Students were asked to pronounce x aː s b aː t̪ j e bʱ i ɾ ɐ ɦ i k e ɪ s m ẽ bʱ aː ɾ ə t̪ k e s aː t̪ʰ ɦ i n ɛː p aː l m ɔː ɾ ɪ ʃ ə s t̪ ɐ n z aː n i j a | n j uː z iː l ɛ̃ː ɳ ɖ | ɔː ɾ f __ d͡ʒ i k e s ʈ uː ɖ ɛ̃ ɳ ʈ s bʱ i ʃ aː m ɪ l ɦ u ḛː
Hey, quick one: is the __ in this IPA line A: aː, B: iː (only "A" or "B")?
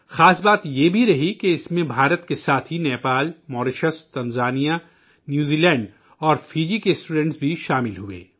B